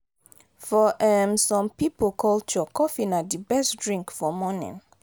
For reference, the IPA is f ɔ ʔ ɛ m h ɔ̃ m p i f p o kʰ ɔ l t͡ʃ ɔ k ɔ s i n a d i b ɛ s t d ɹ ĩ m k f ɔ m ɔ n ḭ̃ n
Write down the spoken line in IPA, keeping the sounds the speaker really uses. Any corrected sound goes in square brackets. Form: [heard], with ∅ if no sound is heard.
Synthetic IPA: f ɔ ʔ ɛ m [s] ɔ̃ m p i [∅] p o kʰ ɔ l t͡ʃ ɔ k ɔ [f] i n a d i b ɛ s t d ɹ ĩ [ŋ] k f ɔ m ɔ n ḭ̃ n